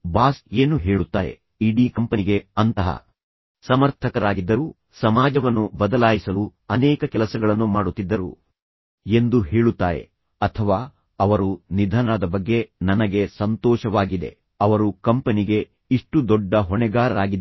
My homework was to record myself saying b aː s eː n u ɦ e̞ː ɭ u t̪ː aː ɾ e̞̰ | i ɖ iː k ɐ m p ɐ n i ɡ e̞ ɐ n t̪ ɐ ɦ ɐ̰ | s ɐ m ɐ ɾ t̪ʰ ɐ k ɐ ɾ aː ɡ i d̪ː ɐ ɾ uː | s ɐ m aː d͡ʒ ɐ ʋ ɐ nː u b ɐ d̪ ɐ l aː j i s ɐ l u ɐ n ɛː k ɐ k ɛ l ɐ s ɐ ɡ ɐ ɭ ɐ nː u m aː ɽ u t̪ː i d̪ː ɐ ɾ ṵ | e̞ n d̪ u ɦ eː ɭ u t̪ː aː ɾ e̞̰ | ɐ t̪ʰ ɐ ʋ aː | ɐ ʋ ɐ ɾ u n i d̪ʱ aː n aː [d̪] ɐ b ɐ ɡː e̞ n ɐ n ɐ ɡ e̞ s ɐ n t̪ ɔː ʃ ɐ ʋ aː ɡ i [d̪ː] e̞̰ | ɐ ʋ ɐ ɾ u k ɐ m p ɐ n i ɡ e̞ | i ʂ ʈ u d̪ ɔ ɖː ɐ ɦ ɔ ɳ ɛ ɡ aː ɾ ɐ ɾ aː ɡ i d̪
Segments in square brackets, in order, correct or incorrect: correct, incorrect: d̪

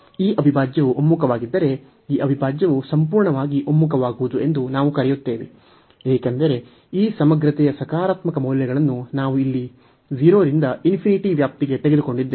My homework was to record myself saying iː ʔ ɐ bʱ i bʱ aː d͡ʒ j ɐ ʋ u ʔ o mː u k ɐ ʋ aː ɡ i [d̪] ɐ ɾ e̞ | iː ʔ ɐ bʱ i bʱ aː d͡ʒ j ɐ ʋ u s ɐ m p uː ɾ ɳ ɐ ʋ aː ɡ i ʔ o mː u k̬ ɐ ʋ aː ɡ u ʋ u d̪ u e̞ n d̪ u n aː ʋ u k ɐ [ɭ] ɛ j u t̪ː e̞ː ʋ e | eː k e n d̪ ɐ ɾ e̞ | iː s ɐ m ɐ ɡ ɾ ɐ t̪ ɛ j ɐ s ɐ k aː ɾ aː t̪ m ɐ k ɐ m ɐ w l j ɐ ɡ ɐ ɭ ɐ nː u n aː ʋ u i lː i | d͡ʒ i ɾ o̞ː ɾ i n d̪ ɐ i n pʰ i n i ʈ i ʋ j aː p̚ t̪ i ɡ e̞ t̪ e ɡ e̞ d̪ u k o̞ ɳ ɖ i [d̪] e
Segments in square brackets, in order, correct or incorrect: incorrect: d̪ː, incorrect: ɾ, incorrect: d̪ː

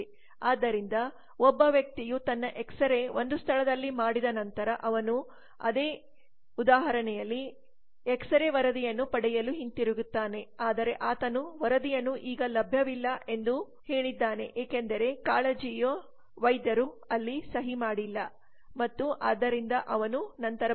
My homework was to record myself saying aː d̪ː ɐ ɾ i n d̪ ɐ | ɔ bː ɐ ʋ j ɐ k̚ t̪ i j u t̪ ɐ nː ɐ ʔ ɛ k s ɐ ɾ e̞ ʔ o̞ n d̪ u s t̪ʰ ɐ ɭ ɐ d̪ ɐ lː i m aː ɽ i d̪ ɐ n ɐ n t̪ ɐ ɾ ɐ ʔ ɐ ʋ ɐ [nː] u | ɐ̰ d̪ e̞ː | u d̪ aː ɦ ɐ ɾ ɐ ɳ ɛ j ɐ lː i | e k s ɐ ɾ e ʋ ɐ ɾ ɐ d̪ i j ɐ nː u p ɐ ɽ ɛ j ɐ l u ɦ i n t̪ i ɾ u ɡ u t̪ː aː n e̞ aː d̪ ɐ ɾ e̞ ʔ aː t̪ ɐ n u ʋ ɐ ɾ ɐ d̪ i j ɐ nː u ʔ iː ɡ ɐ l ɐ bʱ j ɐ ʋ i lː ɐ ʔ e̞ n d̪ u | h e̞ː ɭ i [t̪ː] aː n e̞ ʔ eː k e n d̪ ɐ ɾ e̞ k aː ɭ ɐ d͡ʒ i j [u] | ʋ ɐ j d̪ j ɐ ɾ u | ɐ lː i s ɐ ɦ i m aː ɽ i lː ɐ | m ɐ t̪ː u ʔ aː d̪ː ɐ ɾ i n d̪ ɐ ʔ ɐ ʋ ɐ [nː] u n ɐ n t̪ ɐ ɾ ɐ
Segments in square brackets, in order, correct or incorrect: incorrect: n, incorrect: d̪ː, incorrect: o, incorrect: n

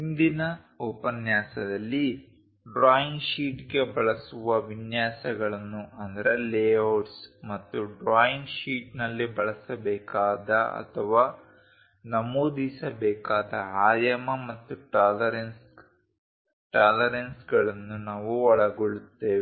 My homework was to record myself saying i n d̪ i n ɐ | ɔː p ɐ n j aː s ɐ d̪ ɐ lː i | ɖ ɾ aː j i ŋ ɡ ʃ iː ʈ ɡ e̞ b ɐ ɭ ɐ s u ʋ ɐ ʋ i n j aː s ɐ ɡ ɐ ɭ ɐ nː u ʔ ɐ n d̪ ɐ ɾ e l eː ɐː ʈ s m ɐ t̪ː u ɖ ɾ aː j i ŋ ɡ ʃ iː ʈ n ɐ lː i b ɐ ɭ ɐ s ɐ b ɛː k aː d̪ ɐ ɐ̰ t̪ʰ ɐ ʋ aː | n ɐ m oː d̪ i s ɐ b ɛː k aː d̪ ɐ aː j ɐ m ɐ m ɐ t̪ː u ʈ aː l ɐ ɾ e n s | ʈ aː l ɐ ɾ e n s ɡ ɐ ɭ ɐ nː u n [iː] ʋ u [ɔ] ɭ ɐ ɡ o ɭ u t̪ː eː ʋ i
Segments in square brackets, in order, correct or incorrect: incorrect: aː, correct

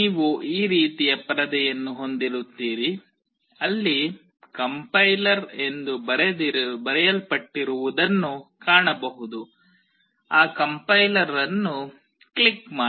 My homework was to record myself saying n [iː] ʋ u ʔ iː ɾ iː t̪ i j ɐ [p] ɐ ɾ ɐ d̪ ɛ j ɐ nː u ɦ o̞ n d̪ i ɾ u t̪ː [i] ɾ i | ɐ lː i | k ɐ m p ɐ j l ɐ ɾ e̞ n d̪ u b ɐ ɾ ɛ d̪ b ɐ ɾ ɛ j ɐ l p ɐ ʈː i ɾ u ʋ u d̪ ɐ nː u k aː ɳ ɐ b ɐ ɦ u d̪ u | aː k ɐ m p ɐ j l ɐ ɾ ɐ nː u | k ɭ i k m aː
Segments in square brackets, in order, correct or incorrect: correct, correct, incorrect: iː

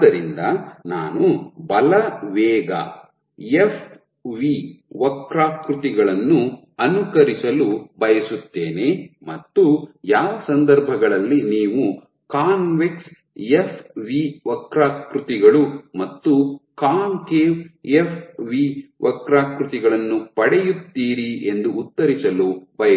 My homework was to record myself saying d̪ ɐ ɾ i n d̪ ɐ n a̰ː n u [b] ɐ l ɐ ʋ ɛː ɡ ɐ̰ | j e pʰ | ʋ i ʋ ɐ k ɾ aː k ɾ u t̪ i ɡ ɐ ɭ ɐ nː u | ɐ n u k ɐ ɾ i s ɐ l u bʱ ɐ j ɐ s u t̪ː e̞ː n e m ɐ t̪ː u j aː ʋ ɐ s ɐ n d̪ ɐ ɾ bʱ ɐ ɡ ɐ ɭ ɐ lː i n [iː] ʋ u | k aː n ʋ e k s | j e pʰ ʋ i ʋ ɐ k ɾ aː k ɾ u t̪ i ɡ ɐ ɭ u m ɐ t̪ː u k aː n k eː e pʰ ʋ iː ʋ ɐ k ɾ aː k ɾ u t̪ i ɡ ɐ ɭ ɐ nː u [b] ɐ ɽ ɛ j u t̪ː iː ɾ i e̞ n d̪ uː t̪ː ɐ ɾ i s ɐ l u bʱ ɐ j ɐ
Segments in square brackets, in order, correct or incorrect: correct, correct, incorrect: p

